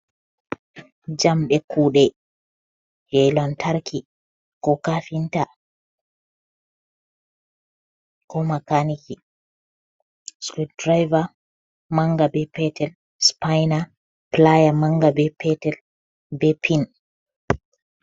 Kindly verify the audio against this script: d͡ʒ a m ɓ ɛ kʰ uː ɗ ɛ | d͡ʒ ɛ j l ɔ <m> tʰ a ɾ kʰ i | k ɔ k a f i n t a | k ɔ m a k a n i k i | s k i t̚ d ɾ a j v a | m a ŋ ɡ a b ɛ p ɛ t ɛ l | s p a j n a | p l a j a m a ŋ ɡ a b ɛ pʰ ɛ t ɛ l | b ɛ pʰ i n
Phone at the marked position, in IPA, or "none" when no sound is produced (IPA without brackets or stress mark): n